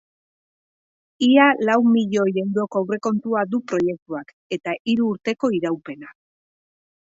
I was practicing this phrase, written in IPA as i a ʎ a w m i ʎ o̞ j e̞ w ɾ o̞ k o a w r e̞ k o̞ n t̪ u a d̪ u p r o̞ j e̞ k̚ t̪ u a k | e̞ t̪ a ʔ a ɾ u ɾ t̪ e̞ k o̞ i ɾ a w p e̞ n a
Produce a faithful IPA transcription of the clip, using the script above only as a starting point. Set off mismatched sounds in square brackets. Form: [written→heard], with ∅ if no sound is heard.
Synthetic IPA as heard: i a [ʎ→l] a w m i ʎ o̞ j e̞ w ɾ o̞ k o a w r e̞ k o̞ n t̪ u a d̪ u p [r→ɾ] o̞ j e̞ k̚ t̪ u a k | e̞ t̪ a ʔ [a→i] ɾ [u→uː] ɾ t̪ e̞ k o̞ i ɾ a w p e̞ n a